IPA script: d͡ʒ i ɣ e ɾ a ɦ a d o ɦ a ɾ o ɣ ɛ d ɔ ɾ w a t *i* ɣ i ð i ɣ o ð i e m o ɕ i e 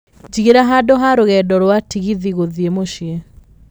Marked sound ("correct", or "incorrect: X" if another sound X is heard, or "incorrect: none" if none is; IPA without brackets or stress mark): correct